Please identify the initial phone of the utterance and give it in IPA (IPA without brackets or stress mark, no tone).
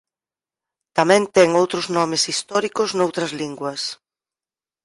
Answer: t̪